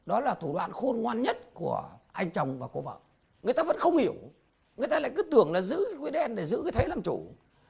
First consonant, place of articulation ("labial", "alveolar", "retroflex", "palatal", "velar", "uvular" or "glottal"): alveolar